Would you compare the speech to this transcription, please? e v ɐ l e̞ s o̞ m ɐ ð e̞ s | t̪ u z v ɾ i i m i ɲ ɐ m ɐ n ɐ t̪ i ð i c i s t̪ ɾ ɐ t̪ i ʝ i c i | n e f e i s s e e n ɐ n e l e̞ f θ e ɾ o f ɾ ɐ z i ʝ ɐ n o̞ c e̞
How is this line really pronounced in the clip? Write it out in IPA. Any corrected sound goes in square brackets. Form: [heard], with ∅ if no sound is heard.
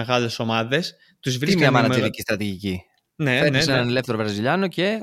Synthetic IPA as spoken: e [ɣ] ɐ l e̞ s o̞ m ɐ ð e̞ s | t̪ u z v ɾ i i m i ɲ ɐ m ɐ n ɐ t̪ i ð i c i s t̪ ɾ ɐ t̪ i ʝ i c i | n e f e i s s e e n ɐ n e l e̞ f θ e ɾ o [v] ɾ ɐ z i [ʎ] ɐ n o̞ c e̞